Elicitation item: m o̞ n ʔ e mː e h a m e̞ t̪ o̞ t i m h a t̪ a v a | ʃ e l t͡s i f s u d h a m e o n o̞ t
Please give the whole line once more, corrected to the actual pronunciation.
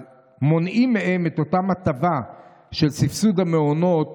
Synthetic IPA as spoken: m o̞ n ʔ i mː e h e m e̞ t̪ o̞ t a m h a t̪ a v a | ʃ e l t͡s i f s u d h a m e o n o̞ t